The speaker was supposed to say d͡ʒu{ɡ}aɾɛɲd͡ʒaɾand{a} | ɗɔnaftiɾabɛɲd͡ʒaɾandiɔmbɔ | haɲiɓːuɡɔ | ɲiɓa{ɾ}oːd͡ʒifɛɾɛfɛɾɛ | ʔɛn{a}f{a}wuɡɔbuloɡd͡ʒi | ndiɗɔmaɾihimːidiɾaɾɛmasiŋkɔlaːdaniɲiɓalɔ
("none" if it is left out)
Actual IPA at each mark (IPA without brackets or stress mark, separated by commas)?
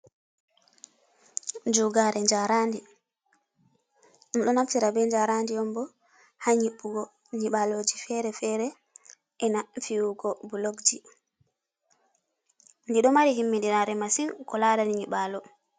ɡ, i, l, a, i